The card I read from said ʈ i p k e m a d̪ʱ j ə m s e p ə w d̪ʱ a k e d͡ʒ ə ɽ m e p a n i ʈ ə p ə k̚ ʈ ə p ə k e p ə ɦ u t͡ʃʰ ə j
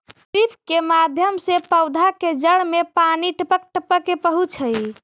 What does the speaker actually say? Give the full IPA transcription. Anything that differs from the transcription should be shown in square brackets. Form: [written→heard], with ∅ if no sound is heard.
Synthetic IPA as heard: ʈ i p k e m a d̪ʱ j ə m s e p ə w d̪ʱ a k e d͡ʒ ə ɽ m e p a n i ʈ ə p ə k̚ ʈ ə p ə k e p ə ɦ u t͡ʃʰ ə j